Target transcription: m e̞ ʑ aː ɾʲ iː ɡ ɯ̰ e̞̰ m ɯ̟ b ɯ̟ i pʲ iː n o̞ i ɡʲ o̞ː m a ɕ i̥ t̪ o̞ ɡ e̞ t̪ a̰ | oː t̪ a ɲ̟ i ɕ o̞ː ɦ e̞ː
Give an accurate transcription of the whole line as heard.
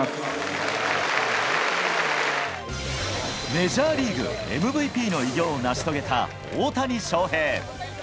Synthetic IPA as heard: m e̞ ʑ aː ɾʲ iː ɡ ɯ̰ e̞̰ m ɯ̟ b ɯ̟ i pʲ iː n o̞ i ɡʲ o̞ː n a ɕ i̥ t̪ o̞ ɡ e̞ t̪ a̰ | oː t̪ a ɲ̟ i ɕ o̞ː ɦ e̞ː